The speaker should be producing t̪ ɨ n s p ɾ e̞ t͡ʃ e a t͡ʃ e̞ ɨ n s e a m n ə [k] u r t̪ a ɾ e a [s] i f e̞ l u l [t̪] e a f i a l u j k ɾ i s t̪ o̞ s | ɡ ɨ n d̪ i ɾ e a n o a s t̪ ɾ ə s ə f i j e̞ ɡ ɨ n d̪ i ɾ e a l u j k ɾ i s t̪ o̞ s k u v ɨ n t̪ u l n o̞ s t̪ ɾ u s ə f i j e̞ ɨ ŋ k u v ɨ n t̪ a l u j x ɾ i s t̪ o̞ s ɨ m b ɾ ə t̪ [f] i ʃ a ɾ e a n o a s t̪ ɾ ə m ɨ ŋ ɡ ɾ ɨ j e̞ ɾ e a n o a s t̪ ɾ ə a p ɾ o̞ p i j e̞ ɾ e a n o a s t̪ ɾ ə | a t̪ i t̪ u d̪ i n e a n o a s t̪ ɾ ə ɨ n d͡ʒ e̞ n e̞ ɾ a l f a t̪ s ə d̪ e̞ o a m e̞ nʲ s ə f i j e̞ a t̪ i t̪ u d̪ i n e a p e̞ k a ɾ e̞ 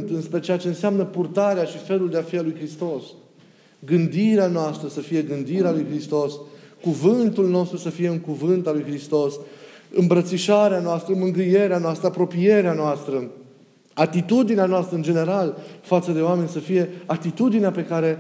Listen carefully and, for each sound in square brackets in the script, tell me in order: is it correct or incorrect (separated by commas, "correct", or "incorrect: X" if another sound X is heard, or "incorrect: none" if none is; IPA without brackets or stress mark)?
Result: incorrect: p, incorrect: ʃ, incorrect: d̪, incorrect: s